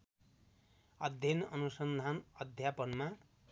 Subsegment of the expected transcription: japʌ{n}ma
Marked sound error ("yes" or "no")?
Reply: no